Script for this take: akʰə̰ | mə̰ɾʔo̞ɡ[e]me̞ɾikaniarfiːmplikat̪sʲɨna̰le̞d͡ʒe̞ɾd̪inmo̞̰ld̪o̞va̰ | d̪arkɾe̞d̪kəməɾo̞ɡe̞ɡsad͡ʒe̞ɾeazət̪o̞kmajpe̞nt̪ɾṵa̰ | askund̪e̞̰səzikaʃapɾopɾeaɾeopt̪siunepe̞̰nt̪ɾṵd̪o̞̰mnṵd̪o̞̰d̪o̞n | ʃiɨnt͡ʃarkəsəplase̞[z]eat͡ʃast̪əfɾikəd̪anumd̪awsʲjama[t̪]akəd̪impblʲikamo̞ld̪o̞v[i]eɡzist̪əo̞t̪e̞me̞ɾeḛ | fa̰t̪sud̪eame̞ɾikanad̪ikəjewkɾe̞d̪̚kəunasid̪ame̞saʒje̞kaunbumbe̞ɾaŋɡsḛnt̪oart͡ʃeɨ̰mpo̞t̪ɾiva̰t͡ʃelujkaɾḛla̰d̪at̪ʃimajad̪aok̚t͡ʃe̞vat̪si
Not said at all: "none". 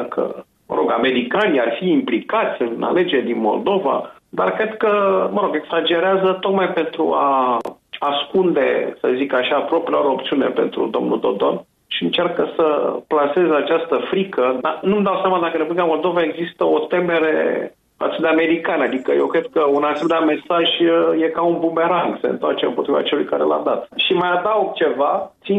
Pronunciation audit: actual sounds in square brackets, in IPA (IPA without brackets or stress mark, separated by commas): a, z, d̪, a